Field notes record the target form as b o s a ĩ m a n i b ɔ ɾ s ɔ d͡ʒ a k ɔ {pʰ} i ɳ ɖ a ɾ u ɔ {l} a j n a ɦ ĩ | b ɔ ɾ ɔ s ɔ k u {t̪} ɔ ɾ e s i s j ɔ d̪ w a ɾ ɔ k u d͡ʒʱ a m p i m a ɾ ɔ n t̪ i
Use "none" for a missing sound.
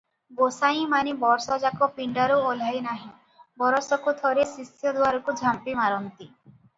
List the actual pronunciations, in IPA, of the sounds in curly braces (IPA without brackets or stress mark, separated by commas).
p, l, t̪ʰ